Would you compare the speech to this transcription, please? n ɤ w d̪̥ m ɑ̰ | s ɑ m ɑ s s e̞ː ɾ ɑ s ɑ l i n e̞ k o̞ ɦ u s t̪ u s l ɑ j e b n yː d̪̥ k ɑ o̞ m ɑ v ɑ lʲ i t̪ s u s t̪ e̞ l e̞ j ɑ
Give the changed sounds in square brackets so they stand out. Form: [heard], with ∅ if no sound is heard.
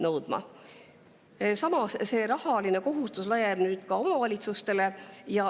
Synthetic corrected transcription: n ɤ w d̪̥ m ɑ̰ | s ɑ m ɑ s s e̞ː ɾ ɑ [h] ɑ l i n e̞ k o̞ ɦ u s t̪ u s l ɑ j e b n yː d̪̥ k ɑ o̞ m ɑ v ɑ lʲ i t̪ s u s t̪ e̞ l e̞ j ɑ